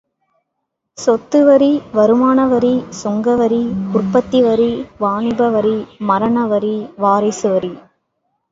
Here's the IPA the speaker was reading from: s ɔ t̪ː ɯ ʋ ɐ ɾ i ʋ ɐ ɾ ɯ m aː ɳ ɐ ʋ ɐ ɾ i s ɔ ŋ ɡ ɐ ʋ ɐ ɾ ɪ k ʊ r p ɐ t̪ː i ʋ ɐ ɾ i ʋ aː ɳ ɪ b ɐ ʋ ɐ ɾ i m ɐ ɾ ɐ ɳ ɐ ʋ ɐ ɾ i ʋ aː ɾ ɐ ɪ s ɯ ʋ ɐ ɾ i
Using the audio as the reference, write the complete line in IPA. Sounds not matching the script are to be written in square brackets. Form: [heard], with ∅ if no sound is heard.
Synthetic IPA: s ɔ t̪ː ɯ ʋ ɐ ɾ i ʋ ɐ ɾ ɯ m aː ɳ ɐ ʋ ɐ ɾ i s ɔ ŋ ɡ ɐ ʋ ɐ ɾ [i] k ʊ r p ɐ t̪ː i ʋ ɐ ɾ i ʋ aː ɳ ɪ b ɐ ʋ ɐ ɾ i m ɐ ɾ ɐ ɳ ɐ ʋ ɐ ɾ i ʋ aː ɾ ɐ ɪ s ɯ ʋ ɐ ɾ i